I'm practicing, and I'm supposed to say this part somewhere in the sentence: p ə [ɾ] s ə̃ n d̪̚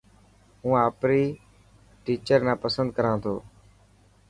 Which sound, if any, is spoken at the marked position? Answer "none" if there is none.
none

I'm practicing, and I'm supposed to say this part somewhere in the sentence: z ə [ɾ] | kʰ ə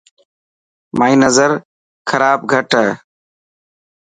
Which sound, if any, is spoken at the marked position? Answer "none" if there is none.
ɾ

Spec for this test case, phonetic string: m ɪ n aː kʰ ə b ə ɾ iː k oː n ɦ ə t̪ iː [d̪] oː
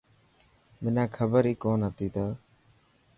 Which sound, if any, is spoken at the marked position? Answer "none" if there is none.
t̪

